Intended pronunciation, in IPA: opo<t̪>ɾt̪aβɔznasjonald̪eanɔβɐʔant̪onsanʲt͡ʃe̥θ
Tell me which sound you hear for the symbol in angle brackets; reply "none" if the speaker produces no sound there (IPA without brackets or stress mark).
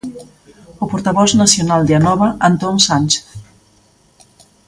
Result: none